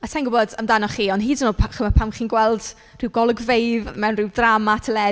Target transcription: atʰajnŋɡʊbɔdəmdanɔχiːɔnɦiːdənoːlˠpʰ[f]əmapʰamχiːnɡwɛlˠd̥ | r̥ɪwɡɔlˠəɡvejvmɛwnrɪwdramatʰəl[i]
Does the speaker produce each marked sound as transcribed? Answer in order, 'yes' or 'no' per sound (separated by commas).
no, no